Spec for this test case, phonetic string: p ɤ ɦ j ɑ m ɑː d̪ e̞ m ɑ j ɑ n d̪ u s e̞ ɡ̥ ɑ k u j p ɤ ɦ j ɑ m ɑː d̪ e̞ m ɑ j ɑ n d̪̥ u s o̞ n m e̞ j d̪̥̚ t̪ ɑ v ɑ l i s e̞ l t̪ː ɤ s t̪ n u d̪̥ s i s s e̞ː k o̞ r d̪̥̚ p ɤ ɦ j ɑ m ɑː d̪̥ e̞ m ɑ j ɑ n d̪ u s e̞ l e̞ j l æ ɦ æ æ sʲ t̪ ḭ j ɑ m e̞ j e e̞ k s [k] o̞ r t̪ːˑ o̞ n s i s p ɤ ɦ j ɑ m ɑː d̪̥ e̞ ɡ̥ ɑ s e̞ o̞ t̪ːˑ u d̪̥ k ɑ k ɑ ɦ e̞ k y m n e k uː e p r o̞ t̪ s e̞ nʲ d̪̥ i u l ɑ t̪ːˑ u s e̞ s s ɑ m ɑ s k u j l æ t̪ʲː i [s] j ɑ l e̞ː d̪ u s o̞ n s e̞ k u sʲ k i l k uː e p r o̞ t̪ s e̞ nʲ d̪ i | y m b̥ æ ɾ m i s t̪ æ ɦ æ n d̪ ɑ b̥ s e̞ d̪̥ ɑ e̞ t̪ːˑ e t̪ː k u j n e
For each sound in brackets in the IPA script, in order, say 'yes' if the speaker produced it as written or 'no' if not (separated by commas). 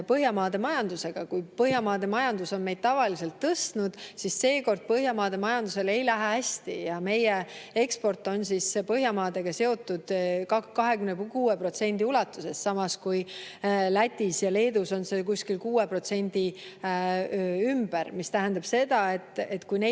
no, yes